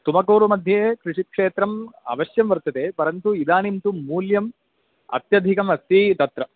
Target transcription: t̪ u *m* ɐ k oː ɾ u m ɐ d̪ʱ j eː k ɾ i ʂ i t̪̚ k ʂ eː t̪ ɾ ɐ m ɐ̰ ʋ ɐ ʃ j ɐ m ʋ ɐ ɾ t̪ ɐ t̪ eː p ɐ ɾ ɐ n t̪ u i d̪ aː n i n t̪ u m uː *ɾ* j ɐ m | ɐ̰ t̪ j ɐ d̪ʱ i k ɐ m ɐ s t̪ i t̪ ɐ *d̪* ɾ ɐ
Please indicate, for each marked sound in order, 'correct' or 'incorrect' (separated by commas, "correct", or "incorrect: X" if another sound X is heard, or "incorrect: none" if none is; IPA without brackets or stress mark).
correct, incorrect: l, incorrect: t̪